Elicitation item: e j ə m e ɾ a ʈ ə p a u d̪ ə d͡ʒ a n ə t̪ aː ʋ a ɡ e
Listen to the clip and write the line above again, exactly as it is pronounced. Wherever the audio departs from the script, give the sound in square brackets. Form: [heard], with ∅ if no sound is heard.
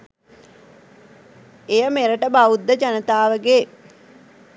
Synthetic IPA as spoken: e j ə m e ɾ [ə] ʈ ə [b] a u [d̪ː] ə d͡ʒ a n ə t̪ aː ʋ [ə] ɡ e